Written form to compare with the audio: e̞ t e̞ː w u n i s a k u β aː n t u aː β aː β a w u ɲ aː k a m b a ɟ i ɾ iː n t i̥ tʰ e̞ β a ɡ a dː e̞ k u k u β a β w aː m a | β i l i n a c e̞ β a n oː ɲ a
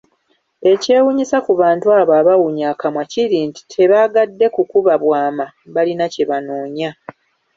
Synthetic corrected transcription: e̞ c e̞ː w u ɲ i s a k u β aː n t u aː β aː β a w u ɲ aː k a m w a c i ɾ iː n t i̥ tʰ e̞ β a ɡ a dː e̞ k u k u β a β w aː m a | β a l i n a c e̞ β a n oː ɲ a